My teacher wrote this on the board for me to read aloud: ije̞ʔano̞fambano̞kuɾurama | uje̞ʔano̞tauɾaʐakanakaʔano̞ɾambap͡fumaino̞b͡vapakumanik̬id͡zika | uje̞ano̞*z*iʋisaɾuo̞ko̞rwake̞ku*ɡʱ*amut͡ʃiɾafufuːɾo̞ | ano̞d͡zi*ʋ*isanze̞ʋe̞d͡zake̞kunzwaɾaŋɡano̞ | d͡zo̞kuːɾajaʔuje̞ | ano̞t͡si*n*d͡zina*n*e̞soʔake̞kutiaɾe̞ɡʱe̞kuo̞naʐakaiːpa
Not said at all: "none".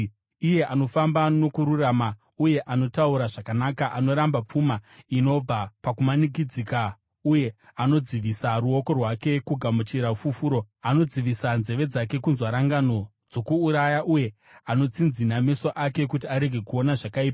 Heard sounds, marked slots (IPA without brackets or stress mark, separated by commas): d͡z, ɡʱ, ʋ, n, m